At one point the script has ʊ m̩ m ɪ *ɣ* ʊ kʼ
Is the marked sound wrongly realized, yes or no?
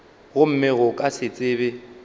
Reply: no